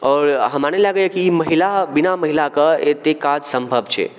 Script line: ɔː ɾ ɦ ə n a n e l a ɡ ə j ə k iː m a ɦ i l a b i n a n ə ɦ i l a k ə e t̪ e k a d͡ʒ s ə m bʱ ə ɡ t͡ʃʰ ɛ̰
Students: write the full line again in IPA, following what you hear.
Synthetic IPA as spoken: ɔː ɾ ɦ ə m a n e l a ɡ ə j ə k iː m ə ɦ i l a b i n a m ə ɦ i l a k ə e t̪ e k a d͡ʒ s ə m bʱ ə b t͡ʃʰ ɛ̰